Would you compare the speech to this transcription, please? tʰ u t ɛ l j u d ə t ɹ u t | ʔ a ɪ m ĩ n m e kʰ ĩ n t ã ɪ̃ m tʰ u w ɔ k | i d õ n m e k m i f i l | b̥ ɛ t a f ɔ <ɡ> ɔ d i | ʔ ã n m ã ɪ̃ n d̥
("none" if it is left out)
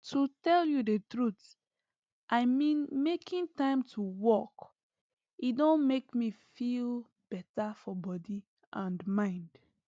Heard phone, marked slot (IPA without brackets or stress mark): b